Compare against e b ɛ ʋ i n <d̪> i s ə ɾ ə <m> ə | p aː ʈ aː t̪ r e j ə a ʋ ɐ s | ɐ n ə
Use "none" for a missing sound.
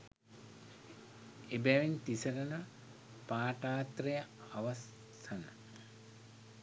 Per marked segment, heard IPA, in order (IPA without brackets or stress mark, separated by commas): t̪, n